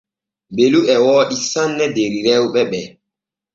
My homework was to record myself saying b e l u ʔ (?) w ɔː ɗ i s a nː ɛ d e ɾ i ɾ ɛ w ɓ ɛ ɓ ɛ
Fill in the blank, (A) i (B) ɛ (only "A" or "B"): B